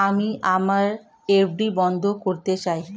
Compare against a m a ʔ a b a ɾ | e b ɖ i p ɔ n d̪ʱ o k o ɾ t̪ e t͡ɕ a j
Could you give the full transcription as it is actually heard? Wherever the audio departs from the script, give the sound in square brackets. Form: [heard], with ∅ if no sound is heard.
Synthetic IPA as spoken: a m [i] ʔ a [m] a ɾ | e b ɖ i [b] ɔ n d̪ʱ o k o ɾ t̪ e t͡ɕ a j